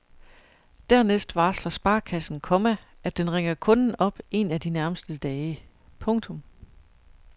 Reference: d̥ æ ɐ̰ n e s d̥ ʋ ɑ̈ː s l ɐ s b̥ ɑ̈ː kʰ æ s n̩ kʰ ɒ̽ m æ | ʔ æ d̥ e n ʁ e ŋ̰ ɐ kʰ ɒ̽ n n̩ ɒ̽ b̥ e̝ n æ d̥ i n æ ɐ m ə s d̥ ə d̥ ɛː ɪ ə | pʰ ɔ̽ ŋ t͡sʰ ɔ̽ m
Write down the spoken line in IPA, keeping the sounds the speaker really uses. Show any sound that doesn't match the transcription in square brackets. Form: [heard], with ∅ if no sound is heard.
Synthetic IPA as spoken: d̥ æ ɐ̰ n e s d̥ ʋ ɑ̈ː s l ɐ s b̥ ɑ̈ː kʰ æ s n̩ kʰ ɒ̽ m æ | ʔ æ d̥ e n ʁ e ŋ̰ ɐ kʰ [ɔ̽] n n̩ ɒ̽ b̥ e̝ n æ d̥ i n æ ɐ m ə s d̥ ə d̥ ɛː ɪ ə | pʰ ɔ̽ ŋ t͡sʰ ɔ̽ m